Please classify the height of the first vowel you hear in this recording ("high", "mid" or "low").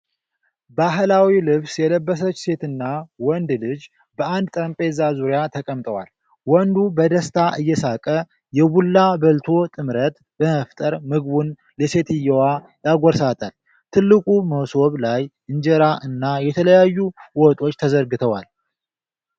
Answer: low